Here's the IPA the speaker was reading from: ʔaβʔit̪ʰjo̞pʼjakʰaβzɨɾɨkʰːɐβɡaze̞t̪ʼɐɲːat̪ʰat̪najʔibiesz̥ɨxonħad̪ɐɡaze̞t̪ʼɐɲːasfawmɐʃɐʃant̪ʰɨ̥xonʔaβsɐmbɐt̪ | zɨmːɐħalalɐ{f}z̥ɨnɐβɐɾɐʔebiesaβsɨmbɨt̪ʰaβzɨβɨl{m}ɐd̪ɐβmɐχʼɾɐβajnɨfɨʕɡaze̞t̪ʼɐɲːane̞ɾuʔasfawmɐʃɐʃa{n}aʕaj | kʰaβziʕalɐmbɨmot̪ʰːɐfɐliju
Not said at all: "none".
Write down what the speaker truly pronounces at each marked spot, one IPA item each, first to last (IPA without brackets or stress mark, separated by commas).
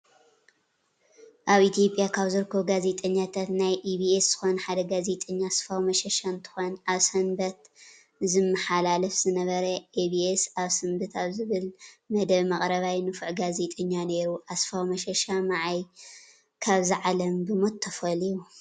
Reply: f, m, m